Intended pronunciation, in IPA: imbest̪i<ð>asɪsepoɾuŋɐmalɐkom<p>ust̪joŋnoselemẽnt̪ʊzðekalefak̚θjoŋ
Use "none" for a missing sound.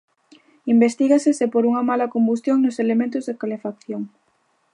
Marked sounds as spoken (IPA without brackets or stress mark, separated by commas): ɣ, b